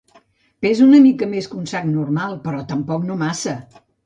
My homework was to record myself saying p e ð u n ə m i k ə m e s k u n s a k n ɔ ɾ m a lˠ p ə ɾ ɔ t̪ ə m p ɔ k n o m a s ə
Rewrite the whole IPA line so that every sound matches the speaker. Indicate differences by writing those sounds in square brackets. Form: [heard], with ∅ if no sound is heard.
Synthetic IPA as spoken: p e [z] u n ə m i k ə m e s k u n s a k n [u] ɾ m a lˠ p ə ɾ ɔ t̪ ə m p ɔ k n o m a s ə